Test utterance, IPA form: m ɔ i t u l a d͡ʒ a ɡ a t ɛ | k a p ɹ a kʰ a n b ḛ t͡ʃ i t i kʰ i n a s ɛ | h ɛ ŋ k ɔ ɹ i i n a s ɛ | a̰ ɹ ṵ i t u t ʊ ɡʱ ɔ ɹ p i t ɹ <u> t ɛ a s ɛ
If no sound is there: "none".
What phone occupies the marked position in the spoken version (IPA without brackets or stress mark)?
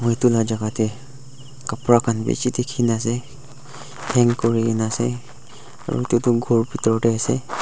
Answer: ɔ